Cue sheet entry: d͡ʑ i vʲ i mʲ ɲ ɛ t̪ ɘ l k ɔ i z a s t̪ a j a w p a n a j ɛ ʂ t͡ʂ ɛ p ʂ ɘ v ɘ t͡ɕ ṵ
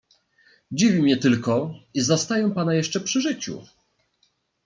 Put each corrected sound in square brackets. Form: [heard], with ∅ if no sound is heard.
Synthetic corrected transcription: d͡ʑ i vʲ i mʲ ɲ ɛ t̪ ɘ l k ɔ i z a s t̪ a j [ɛ] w p a n a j ɛ ʂ t͡ʂ ɛ p ʂ ɘ [ʐ] ɘ t͡ɕ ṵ